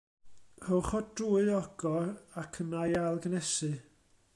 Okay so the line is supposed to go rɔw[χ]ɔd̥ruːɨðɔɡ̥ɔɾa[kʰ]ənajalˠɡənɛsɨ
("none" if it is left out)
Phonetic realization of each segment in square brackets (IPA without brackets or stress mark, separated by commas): χ, kʰ